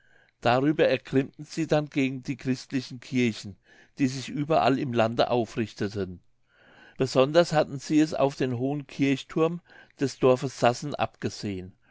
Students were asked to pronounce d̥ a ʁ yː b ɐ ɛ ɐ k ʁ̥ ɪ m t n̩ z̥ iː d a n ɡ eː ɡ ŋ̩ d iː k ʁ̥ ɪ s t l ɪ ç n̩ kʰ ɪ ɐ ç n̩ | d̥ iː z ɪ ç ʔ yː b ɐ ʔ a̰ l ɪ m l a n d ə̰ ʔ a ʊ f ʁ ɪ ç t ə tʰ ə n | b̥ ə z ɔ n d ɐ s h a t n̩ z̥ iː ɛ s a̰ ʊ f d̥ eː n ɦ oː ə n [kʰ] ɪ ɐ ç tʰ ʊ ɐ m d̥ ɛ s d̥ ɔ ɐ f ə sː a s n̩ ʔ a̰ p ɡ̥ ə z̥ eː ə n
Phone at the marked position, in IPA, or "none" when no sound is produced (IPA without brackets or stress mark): kʰ